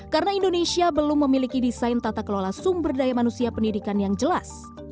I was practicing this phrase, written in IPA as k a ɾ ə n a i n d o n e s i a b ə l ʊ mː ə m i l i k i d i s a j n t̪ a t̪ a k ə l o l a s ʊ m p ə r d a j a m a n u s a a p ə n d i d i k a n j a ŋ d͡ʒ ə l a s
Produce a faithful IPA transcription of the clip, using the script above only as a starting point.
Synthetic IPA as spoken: k a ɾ ə n a i n d o n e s i a b ə l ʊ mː ə m i l i k i d i s a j n t̪ a t̪ a k ə l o l a s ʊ m b ə r d a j a m a n u s i a p ə n d i d i k a n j a ŋ d͡ʒ ə l a s